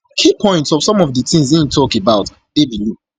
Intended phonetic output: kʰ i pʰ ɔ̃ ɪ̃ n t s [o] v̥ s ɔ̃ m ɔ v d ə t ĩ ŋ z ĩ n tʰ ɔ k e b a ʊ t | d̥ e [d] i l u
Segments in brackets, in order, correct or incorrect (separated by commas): incorrect, incorrect